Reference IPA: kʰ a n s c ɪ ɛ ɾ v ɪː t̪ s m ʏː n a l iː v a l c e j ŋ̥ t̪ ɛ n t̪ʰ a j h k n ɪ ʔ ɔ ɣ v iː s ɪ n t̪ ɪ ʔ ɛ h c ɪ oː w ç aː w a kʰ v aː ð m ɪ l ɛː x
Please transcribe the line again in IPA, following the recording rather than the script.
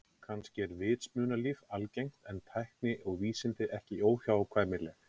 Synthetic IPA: kʰ a n s c ɪ ɛ ɾ v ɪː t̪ s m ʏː n a l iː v a l c e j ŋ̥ t̪ ɛ n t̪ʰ a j h k n ɪ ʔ ɔ ɣ v iː s ɪ n t̪ ɪ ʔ ɛ h c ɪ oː w ç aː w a kʰ v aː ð m ɪ l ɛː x